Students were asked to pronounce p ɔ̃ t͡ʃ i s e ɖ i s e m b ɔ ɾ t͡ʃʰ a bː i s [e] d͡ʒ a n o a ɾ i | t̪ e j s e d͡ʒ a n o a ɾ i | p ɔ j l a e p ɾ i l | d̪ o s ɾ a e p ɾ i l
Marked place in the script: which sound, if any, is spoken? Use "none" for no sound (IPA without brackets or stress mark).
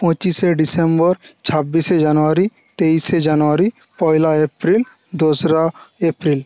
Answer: e